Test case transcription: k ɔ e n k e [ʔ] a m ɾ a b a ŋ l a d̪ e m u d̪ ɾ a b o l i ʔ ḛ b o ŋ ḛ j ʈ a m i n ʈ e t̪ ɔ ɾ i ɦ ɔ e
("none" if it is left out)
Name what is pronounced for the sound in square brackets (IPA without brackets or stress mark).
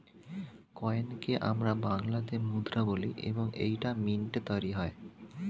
ʔ